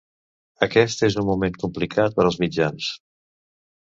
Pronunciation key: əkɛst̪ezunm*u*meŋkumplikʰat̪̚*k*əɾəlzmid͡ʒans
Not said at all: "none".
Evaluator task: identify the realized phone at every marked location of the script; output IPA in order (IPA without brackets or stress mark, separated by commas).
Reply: u, p